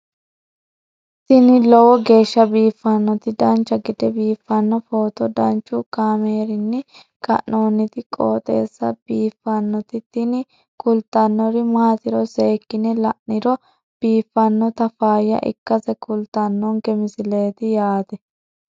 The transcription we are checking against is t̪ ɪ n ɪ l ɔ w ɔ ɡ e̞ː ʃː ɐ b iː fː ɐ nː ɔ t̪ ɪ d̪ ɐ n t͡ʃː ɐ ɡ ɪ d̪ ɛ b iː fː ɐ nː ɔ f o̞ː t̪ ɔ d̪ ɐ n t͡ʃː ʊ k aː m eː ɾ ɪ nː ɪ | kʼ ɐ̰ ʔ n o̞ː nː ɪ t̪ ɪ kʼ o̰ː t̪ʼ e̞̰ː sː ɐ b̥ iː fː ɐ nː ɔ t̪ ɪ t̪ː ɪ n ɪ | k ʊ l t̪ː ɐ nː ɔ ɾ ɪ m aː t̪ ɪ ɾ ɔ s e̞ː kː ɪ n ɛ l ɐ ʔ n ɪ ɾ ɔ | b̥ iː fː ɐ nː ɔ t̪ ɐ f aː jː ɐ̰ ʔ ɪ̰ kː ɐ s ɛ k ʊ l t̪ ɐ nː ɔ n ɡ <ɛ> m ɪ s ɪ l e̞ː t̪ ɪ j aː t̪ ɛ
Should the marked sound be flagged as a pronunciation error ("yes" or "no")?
no